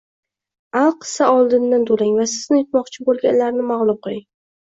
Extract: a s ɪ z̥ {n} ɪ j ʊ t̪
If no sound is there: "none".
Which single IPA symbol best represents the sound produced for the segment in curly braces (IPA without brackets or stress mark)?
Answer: n